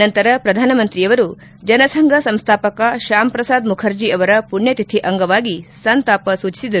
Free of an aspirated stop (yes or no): no